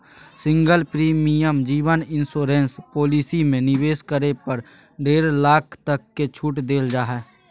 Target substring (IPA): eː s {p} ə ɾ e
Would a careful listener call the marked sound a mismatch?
yes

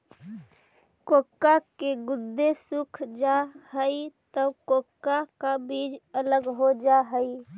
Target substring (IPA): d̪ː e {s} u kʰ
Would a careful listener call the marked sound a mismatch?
no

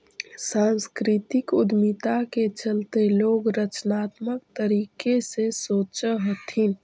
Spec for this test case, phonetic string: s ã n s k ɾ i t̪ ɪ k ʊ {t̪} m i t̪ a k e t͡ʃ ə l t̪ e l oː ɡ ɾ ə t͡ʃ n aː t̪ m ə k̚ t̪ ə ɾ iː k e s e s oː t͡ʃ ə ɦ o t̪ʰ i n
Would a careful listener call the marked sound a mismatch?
yes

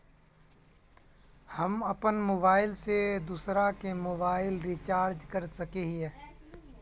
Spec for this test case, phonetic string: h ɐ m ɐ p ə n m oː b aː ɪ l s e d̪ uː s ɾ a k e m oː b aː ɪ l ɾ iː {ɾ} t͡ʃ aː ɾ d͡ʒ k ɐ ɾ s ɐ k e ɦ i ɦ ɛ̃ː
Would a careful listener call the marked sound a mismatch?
yes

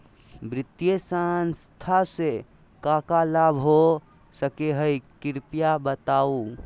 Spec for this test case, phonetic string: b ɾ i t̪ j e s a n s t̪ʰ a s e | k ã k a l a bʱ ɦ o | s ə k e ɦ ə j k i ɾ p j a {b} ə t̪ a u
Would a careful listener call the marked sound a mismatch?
no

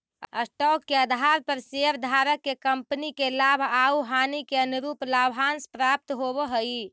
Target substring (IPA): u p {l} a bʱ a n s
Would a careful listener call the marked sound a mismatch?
no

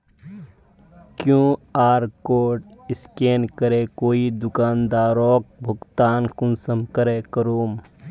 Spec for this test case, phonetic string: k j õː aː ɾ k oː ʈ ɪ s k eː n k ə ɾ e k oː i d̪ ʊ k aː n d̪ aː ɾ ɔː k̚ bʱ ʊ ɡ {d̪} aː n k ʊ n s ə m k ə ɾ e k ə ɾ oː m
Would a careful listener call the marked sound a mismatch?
yes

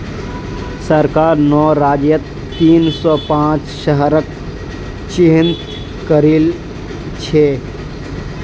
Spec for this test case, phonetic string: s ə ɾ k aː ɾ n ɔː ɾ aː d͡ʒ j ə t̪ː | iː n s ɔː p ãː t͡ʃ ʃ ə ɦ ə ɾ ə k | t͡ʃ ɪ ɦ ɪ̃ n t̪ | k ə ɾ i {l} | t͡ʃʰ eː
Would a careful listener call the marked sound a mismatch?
no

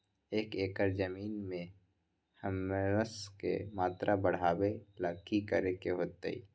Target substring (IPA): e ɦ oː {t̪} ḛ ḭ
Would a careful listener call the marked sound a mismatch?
no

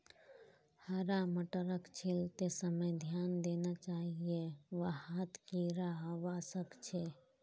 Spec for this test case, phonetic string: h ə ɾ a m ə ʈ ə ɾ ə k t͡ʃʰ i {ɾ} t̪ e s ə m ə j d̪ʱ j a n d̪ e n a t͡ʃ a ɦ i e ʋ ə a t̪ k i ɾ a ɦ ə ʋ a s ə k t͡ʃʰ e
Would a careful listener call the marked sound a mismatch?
yes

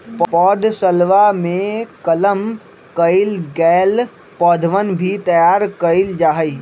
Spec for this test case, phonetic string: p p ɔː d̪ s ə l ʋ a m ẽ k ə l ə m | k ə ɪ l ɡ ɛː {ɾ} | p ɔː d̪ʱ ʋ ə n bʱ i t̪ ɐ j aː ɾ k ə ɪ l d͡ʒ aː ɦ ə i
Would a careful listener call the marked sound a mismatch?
yes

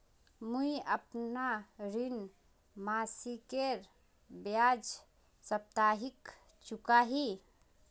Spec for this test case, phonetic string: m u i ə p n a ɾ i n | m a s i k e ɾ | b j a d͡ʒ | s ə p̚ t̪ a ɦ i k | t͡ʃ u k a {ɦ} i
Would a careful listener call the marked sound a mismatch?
no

